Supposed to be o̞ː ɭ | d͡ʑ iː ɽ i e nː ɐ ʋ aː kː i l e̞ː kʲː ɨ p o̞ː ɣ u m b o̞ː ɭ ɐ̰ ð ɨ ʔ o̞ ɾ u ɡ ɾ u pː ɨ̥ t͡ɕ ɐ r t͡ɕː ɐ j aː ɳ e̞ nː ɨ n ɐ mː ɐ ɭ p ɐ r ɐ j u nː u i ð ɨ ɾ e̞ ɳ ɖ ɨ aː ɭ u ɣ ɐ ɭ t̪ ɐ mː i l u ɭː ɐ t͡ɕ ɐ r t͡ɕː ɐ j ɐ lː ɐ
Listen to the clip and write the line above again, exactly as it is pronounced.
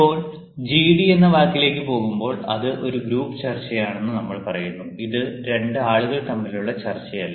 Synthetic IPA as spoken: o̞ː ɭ | d͡ʑ iː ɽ i e nː ɐ ʋ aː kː i l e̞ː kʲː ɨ p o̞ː ɣ u m b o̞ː ɭ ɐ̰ ð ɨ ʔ o̞ ɾ u ɡ ɾ uː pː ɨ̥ t͡ɕ ɐ r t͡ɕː ɐ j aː ɳ e̞ nː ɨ n ɐ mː ɐ ɭ p ɐ r ɐ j u nː u i ð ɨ ɾ e̞ ɳ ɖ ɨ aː ɭ u ɣ ɐ ɭ t̪ ɐ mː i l u ɭː ɐ t͡ɕ ɐ r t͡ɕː ɐ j ɐ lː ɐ

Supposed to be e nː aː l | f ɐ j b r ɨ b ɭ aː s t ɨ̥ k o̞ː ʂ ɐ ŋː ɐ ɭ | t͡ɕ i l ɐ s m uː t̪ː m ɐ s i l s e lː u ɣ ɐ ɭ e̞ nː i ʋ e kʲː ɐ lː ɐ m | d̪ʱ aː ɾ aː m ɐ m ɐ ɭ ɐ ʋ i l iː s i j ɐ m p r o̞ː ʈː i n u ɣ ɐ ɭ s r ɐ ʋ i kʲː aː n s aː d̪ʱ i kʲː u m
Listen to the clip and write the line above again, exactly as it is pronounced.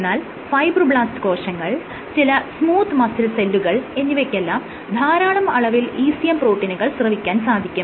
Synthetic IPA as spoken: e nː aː l | f ɐ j b r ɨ b ɭ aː s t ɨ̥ k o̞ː ʂ ɐ ŋː ɐ ɭ | t͡ɕ i l ɐ s m uː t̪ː m ɐ s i l s e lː u ɣ ɐ ɭ e̞ nː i ʋ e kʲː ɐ lː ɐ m | d̪ʱ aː ɾ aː ɳ ɐ m ɐ ɭ ɐ ʋ i l iː s i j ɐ m p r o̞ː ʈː i n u ɣ ɐ ɭ s r ɐ ʋ i kʲː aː n s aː d̪ʱ i kʲː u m

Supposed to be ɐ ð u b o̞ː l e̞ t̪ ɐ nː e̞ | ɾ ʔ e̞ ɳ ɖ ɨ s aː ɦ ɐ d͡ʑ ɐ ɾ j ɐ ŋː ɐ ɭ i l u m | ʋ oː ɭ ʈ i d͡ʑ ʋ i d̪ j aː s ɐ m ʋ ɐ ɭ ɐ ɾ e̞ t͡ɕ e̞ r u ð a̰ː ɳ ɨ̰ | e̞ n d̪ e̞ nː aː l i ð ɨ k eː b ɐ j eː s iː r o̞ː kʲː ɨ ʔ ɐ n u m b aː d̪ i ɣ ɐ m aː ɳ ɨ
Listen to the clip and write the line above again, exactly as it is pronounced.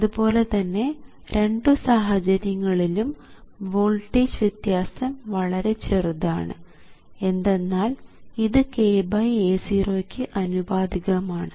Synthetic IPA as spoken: ɐ ð u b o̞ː l e̞ t̪ ɐ nː e̞ | ɾ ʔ e̞ ɳ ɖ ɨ s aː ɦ ɐ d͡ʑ ɐ ɾ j ɐ ŋː ɐ ɭ i l u m | ʋ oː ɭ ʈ i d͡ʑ ʋ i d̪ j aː s ɐ m ʋ ɐ ɭ ɐ ɾ e̞ t͡ɕ e̞ r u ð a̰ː ɳ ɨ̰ | e̞ n d̪ e̞ nː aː l i ð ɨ k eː b ɐ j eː s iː r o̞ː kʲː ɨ ʔ ɐ n u b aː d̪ i ɣ ɐ m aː ɳ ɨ

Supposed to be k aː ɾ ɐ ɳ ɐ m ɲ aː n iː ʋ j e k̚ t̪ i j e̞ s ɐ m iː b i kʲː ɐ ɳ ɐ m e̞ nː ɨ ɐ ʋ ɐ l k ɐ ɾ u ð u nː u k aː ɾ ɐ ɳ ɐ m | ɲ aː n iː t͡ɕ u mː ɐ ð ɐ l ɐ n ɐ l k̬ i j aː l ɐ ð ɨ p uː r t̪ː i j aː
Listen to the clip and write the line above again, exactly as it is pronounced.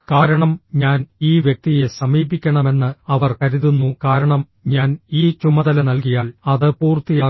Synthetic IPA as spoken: k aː ɾ ɐ ɳ ɐ m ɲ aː n iː ʋ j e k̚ t̪ i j e̞ s ɐ m iː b i kʲː ɐ ɳ ɐ m e̞ nː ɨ ɐ ʋ ɐ r k ɐ ɾ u ð u nː u k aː ɾ ɐ ɳ ɐ m | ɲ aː n iː t͡ɕ u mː ɐ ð ɐ l ɐ n ɐ l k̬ i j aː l ɐ ð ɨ p uː r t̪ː i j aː

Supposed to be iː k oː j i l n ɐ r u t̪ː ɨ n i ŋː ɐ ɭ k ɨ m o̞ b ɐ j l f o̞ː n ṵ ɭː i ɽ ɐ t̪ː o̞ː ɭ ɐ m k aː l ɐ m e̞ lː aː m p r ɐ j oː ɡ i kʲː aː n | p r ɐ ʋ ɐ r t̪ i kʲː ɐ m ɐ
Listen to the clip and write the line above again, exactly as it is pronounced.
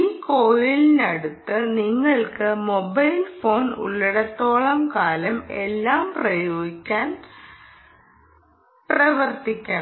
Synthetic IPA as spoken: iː k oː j i l n ɐ ɽ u t̪ː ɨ n i ŋː ɐ ɭ k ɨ m o̞ b ɐ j l f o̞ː n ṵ ɭː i ɽ ɐ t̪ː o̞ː ɭ ɐ m k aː l ɐ m e̞ lː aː m p r ɐ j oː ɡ i kʲː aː n | p r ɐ ʋ ɐ r t̪ i kʲː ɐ ɳ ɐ

